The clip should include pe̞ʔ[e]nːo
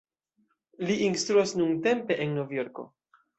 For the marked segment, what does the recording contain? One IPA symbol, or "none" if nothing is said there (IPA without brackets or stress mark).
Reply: e